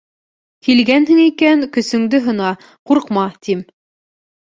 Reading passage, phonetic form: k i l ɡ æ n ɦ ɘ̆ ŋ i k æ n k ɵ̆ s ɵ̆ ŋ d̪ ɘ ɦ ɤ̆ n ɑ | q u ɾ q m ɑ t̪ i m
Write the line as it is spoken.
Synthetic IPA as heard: k i l ɡ æ n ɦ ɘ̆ ŋ i k æ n k ɵ̆ s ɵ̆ ŋ d̪ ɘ ɦ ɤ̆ n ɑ | q u ɾ q m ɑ t̪ i m